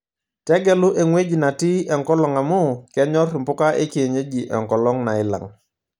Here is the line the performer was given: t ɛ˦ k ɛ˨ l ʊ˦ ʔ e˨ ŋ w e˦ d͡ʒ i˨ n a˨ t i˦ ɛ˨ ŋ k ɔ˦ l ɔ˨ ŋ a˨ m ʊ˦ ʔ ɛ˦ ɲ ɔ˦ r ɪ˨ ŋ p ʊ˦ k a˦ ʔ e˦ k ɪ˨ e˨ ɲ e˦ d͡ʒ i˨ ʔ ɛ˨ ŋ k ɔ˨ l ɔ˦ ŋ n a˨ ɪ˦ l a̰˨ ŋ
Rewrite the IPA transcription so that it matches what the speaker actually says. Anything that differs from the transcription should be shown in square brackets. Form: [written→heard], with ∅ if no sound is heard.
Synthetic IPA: t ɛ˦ [k→ɡ] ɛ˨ l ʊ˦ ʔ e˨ ŋ w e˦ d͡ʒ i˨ n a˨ t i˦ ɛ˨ ŋ k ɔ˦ l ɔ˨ ŋ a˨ m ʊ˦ [ʔ→k] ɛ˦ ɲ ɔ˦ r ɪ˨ [ŋ→m] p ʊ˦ k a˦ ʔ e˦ k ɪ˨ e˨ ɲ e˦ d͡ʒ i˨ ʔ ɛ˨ ŋ k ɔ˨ l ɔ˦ ŋ n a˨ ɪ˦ l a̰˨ ŋ